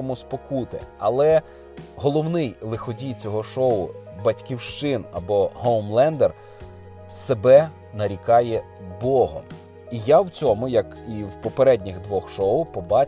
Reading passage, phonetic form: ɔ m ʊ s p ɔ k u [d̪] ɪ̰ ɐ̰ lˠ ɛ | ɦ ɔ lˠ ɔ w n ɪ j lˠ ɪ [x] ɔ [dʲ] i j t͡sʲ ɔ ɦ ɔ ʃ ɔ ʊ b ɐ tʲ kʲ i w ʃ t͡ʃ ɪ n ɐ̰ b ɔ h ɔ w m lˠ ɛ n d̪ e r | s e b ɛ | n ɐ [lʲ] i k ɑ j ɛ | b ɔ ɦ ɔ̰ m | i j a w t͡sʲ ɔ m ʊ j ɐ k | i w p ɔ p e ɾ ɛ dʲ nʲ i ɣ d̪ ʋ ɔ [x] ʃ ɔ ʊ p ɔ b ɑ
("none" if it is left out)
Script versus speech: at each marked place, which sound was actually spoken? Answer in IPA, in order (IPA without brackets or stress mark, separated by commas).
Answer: t̪, x, dʲ, ɾʲ, x